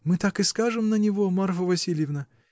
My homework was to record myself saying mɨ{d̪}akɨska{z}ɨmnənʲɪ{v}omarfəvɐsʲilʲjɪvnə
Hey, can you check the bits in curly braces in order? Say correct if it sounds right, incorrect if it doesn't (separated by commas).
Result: incorrect, incorrect, correct